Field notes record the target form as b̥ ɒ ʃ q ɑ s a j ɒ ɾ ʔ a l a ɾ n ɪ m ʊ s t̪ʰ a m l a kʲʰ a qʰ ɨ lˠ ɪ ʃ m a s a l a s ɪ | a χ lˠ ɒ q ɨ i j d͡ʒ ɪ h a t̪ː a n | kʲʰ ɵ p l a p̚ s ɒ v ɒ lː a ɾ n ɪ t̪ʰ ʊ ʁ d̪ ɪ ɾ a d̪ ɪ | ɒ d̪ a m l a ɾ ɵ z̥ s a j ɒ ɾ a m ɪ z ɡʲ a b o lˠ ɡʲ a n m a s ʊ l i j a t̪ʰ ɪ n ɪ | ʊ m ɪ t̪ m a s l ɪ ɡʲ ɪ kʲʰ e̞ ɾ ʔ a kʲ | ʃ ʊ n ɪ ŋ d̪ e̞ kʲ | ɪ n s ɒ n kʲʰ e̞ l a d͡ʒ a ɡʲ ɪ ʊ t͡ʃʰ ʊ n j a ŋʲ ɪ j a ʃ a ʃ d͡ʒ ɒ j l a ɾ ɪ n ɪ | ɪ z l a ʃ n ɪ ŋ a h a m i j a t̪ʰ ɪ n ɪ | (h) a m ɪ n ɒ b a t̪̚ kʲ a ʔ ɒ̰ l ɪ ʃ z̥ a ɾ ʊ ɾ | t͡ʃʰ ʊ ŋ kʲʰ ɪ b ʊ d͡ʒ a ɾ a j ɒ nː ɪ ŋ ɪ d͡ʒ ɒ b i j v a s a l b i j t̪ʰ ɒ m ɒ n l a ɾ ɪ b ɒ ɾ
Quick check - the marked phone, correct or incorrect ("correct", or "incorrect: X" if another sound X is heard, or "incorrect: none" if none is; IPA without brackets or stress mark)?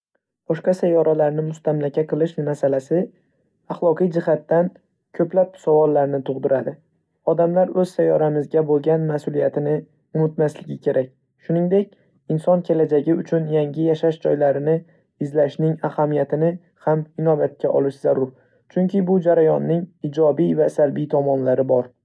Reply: correct